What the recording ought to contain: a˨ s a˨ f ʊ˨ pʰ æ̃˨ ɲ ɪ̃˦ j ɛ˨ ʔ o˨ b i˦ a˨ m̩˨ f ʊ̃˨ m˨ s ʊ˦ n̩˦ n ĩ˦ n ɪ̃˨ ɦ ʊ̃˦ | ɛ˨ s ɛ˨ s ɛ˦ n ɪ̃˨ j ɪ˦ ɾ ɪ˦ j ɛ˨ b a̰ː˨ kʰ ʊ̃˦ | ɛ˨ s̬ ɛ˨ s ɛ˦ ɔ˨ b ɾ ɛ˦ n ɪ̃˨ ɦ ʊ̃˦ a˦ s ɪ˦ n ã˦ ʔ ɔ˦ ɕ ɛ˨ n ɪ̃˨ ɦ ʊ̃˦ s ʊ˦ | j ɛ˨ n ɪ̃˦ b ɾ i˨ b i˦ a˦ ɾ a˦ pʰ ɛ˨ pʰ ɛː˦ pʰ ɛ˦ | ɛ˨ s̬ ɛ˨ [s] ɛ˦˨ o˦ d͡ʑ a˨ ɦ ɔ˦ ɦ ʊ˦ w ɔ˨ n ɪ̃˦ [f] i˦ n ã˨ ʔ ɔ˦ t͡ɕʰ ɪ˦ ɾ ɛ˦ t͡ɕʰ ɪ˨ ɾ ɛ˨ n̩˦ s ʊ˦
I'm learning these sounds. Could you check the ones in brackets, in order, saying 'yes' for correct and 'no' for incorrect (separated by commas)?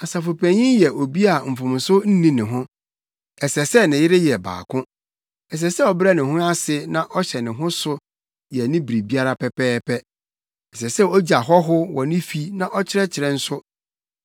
yes, yes